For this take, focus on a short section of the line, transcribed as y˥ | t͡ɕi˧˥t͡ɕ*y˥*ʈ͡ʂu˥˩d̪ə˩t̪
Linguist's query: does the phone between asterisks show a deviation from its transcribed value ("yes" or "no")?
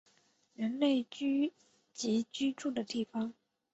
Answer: no